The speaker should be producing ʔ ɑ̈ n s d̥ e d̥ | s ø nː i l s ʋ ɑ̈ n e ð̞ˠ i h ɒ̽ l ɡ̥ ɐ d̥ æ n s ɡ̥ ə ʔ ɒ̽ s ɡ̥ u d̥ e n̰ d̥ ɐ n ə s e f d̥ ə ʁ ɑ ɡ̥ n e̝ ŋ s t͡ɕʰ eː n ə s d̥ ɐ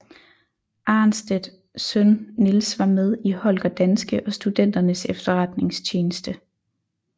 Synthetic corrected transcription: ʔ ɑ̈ n s d̥ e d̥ | s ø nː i l s ʋ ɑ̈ m e ð̞ˠ i h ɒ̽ l ɡ̥ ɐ d̥ æ n s ɡ̥ ə ʔ ɒ̽ s d̥ u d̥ e n̰ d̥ ɐ n ə s e f d̥ ɐ ʁ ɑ d̥ n e̝ ŋ s t͡ɕʰ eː n ə s d̥ ə